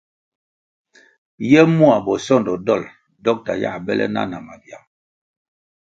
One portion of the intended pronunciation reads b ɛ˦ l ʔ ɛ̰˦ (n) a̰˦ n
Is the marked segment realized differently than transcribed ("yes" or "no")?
no